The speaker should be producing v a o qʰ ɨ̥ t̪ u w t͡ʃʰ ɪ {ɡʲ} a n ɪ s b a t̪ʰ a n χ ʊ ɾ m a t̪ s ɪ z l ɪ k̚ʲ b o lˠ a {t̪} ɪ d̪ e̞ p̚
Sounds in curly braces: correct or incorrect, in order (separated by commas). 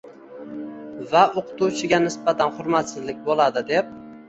correct, incorrect